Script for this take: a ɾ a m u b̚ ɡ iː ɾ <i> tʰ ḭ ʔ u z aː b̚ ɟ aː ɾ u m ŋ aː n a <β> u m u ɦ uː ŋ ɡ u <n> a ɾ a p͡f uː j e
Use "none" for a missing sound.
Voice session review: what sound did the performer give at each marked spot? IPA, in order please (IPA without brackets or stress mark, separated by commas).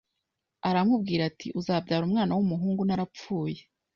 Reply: a, w, n